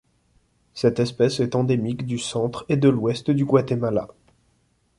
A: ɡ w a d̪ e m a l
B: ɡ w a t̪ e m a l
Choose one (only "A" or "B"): B